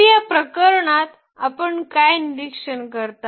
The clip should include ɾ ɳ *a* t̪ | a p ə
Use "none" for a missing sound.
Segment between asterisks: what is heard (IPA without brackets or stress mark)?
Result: a